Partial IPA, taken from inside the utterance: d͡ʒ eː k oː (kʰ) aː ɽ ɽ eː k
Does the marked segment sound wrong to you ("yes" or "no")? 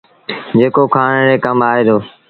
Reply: no